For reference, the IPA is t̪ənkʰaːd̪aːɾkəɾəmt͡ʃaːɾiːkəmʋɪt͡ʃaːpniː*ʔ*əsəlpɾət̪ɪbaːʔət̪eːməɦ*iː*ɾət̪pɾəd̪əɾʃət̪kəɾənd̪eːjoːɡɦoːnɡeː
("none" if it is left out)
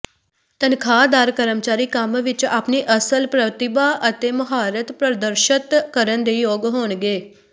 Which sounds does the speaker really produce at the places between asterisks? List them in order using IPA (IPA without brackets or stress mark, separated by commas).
ʔ, aː